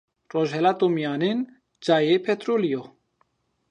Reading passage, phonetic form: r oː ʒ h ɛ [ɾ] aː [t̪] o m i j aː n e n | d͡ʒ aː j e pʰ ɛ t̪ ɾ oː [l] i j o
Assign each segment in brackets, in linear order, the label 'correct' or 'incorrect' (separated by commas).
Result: incorrect, correct, correct